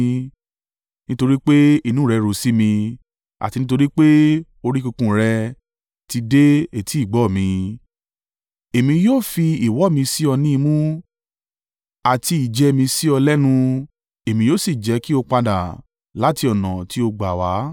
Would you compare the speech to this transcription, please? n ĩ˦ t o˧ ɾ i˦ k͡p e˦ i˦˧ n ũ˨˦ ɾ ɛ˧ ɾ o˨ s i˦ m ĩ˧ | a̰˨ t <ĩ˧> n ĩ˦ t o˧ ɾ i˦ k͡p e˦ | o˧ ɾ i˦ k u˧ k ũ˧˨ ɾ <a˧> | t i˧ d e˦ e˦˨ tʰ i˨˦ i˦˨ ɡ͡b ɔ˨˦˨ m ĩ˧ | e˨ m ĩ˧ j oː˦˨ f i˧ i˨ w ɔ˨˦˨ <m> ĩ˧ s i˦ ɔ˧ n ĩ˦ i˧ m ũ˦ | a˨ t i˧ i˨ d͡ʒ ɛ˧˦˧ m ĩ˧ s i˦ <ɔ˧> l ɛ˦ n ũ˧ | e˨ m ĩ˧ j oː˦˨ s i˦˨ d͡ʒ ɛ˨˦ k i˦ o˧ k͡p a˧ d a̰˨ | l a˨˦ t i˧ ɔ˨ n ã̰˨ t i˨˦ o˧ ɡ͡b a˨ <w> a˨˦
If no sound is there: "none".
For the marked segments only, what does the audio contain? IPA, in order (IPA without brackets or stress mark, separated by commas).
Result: i˧, ɛ˧, m, ɔ˧, w